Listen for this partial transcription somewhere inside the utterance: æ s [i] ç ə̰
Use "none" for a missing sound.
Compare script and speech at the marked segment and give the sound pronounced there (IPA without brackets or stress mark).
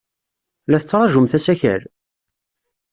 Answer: æ